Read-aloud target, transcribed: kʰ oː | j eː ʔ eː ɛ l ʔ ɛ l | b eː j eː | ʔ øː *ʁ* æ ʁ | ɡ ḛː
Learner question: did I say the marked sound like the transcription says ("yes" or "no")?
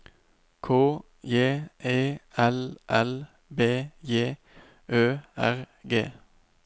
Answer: no